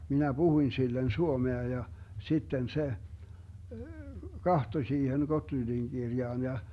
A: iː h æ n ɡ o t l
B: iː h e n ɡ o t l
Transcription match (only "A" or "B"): B